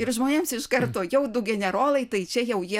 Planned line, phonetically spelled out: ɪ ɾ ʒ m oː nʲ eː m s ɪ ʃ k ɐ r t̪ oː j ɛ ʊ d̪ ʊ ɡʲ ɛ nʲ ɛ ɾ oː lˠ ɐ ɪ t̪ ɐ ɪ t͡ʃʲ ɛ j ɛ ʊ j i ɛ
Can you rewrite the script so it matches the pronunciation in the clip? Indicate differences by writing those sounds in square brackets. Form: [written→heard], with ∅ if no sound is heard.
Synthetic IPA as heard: ɪ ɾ ʒ m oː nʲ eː m s ɪ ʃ k ɐ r t̪ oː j ɛ ʊ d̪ ʊ ɡʲ ɛ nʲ ɛ ɾ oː lˠ ɐ ɪ t̪ ɐ ɪ t͡ʃʲ ɛ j ɛ ʊ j i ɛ